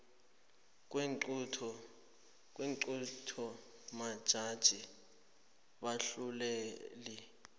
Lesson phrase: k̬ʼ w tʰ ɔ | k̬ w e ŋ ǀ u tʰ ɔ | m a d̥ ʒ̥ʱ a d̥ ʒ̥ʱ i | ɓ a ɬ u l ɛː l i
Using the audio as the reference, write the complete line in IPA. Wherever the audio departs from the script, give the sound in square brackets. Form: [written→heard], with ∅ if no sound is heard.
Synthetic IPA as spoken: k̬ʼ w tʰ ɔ | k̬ w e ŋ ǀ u tʰ ɔ | m a d̥ ʒ̥ʱ a d̥ ʒ̥ʱ i | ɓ a ɬ u l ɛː l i

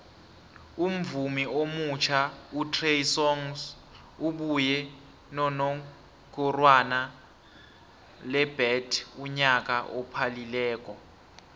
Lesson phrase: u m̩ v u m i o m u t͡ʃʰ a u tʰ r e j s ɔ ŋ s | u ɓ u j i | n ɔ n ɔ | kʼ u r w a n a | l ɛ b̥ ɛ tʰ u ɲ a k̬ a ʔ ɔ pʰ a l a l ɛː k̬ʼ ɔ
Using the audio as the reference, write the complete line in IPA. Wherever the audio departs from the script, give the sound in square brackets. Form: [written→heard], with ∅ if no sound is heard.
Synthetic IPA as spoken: u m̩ v u m i o m u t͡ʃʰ a u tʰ r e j s ɔ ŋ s | u ɓ u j [i→ɛ] | n ɔ n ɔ | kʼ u r w a n a | l ɛ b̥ ɛ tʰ u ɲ a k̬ a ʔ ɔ pʰ a l [a→i] l ɛː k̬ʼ ɔ

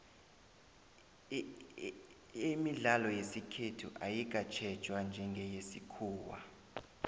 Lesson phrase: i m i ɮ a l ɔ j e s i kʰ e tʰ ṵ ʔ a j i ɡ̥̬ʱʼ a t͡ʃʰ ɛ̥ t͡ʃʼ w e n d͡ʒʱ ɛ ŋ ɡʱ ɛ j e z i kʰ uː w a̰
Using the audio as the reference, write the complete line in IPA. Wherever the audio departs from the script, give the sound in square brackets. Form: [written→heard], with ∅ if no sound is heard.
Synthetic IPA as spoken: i m i ɮ a l ɔ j e s i kʰ e tʰ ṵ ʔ a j i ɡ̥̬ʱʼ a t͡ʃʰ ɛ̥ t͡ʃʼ w [e→a] n d͡ʒʱ ɛ ŋ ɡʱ ɛ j e [z→s] i kʰ uː w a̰

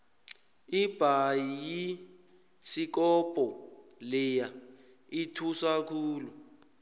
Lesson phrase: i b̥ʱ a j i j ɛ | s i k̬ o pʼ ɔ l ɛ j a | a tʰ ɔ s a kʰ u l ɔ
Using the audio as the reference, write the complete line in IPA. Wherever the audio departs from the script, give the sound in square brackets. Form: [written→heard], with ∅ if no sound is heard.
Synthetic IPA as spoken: i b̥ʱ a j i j [ɛ→i] | s i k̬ [o→ɔ] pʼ ɔ l ɛ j a | [a→i] tʰ [ɔ→u] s a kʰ [u→uː] l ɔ

